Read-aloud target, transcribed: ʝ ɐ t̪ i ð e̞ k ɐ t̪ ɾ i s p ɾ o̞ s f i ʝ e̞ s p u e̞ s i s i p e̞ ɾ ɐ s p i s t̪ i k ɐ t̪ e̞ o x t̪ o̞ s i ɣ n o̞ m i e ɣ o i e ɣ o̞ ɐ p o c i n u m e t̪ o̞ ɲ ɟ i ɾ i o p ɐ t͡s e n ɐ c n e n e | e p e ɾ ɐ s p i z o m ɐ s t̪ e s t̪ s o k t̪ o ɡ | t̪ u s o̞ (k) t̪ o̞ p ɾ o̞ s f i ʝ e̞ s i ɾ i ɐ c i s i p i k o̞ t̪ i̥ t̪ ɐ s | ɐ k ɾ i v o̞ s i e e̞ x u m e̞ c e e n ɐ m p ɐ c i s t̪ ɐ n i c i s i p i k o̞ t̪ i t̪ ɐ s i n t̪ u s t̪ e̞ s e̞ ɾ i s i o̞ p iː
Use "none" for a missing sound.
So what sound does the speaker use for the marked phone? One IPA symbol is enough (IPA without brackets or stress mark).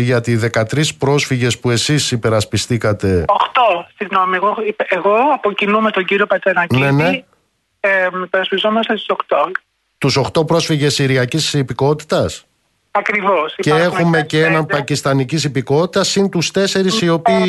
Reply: x